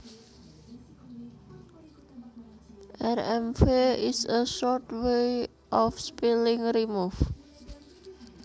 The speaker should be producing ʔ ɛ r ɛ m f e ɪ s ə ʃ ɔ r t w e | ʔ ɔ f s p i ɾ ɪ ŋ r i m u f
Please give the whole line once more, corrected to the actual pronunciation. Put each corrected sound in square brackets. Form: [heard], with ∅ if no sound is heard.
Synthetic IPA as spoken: ʔ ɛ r ɛ m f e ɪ s ə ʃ ɔ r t w e | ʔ ɔ f s p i [l] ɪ ŋ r i m u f